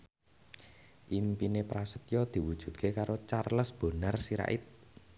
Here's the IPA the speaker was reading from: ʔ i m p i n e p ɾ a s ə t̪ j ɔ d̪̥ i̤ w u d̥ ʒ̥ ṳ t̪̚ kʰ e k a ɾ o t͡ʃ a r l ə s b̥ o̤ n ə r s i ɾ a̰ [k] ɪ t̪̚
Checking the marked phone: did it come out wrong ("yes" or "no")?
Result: yes